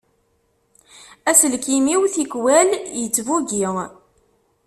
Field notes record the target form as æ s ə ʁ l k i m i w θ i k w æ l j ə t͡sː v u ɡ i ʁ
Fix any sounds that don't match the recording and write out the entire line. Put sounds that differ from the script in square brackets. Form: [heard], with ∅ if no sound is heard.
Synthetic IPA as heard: æ s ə [∅] l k i m i w θ i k w æ l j ə t͡sː v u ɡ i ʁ